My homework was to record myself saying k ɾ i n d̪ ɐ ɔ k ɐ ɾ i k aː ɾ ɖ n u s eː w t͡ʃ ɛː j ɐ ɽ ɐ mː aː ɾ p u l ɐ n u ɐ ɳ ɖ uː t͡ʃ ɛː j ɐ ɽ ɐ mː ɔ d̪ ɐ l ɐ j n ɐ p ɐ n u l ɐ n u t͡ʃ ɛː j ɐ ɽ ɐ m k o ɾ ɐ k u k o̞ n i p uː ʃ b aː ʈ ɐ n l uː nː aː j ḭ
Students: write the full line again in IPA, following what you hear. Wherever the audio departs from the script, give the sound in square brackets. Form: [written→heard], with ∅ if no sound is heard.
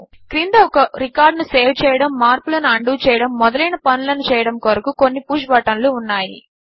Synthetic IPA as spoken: k ɾ i n d̪ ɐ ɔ k ɐ ɾ i k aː ɾ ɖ n u s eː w t͡ʃ ɛː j ɐ ɽ ɐ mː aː ɾ p u l ɐ n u ɐ ɳ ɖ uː t͡ʃ ɛː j ɐ ɽ ɐ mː ɔ d̪ ɐ l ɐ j n ɐ p ɐ n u l ɐ n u t͡ʃ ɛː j ɐ ɽ ɐ m k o ɾ ɐ k u k o̞ [n→nː] i p uː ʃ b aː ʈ ɐ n l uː nː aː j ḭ